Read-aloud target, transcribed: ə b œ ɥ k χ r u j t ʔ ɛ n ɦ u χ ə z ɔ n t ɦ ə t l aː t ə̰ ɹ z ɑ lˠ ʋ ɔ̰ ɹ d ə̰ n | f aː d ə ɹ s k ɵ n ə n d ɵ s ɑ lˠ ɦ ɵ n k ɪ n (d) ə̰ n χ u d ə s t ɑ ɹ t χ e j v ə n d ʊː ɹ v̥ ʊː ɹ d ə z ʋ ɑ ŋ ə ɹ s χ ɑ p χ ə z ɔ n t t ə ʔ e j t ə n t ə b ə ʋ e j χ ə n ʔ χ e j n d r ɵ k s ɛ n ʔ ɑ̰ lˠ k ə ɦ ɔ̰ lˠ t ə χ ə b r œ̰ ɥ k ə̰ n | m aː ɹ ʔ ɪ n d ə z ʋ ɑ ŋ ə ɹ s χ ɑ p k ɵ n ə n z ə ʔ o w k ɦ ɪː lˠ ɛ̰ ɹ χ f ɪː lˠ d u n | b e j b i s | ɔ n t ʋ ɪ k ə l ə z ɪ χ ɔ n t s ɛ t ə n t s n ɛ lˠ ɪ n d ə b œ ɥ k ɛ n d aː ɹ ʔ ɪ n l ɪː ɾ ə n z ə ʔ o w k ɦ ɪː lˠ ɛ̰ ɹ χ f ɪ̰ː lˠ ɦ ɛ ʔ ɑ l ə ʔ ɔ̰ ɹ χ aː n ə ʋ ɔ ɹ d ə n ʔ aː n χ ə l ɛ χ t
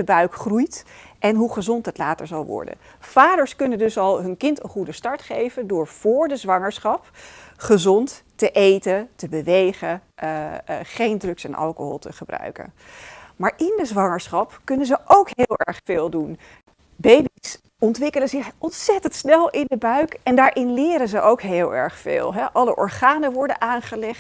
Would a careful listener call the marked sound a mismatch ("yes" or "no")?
yes